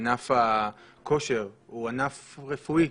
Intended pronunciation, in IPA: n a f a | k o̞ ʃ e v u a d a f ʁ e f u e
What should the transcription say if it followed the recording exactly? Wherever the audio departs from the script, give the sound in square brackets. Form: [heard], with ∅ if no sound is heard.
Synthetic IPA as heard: n a f a | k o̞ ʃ e [ʁ] u a [n] a f ʁ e f u [i]